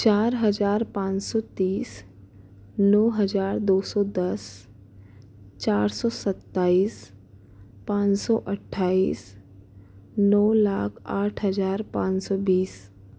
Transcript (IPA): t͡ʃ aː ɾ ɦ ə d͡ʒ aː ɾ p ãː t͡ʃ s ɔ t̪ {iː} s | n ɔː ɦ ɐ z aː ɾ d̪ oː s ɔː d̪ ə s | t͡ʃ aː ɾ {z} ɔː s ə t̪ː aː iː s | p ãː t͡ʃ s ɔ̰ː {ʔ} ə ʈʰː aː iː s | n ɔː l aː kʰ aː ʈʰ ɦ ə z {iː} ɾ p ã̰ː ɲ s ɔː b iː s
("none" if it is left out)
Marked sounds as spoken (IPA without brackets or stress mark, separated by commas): iː, s, ʔ, aː